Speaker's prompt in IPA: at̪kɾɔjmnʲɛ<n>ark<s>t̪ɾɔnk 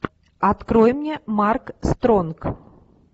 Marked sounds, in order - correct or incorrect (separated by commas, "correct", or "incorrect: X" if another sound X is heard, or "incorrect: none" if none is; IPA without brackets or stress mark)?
incorrect: m, correct